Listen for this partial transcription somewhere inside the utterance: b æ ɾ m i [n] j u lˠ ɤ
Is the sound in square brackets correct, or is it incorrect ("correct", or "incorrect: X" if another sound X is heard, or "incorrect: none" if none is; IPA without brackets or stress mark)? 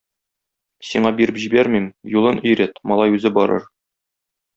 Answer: incorrect: m